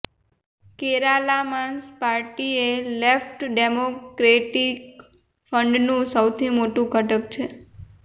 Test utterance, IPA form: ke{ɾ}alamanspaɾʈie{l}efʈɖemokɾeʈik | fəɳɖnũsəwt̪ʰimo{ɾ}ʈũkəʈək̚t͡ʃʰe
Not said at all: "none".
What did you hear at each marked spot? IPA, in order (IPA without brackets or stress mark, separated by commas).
ɾ, l, none